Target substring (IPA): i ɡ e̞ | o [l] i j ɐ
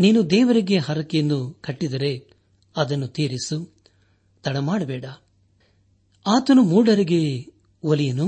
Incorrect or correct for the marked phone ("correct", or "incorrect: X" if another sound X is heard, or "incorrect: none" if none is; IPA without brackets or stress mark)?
correct